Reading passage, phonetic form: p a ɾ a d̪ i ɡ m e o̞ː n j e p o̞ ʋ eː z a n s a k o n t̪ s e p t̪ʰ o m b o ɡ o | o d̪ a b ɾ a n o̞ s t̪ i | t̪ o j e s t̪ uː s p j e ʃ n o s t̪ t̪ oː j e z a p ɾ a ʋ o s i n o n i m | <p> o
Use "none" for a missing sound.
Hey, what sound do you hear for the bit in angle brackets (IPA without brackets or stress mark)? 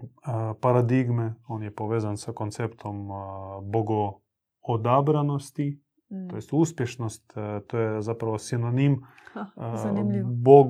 b